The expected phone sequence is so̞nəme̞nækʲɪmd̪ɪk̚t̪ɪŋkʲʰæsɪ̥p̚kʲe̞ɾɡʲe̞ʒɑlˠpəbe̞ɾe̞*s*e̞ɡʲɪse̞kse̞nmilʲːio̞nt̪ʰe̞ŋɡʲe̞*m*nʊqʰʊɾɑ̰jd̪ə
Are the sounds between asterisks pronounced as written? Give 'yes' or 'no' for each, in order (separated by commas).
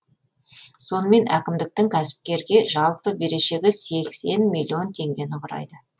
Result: no, no